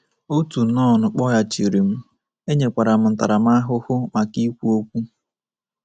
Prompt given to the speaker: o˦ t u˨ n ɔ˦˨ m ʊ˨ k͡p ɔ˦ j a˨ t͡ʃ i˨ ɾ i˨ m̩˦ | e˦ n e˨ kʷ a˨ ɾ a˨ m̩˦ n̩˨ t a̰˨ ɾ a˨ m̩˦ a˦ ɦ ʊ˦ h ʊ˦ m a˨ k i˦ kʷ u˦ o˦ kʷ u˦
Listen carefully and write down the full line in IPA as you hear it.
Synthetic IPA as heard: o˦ t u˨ n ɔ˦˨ n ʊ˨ k͡p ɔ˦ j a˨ t͡ʃ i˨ ɾ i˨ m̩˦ | e˦ ɲ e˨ kʷ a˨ ɾ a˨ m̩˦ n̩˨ t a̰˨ ɾ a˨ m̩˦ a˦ ɦ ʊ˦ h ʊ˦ m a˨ k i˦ kʷ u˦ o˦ kʷ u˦